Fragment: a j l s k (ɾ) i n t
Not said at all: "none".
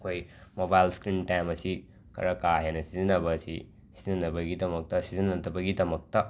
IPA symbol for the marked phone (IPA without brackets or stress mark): ɾ